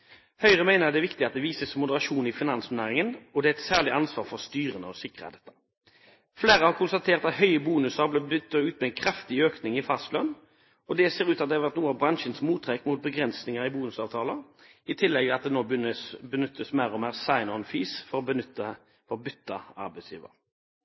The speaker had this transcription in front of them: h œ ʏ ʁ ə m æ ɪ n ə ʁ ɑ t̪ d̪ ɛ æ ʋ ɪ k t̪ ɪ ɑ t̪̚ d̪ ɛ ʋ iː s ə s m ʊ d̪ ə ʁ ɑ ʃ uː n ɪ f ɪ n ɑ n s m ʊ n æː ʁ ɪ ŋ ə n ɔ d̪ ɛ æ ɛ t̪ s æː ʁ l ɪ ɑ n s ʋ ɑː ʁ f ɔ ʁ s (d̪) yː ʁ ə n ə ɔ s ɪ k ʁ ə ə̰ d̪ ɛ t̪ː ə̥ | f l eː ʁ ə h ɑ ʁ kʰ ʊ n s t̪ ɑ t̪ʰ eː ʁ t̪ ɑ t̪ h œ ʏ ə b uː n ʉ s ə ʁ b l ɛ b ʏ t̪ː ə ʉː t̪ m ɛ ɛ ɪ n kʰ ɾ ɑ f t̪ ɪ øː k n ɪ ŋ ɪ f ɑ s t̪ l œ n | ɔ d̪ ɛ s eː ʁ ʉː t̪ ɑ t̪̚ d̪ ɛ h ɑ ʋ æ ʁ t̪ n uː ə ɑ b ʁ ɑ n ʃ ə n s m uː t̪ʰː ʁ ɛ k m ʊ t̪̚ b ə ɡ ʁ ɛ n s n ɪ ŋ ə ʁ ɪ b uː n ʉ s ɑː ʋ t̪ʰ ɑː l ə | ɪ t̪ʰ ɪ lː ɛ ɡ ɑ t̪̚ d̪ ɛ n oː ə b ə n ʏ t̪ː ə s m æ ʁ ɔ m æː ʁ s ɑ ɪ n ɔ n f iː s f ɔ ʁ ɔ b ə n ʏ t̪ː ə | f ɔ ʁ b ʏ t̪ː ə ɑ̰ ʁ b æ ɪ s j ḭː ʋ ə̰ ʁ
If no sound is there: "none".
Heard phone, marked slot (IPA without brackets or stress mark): t̪